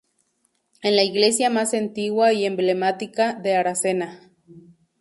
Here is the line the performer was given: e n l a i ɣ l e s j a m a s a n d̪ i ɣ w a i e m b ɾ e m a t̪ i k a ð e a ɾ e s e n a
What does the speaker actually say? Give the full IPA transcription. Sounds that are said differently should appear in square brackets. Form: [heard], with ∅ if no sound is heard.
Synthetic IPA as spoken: e n l a i ɣ l e s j a m a s [e] n [t̪] i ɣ w a i e m b [l] e m a t̪ i k a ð e a ɾ [a] s e n a